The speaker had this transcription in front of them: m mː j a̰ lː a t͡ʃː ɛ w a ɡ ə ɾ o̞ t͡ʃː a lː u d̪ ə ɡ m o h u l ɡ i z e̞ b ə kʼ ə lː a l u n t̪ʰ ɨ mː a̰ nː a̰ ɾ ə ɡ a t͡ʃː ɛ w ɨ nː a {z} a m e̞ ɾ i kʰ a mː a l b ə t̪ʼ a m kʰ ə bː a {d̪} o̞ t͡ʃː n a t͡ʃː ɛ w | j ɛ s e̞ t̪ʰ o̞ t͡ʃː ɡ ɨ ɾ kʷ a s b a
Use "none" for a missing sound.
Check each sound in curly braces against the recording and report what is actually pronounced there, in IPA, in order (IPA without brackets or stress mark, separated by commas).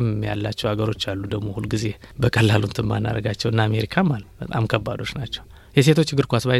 none, d̪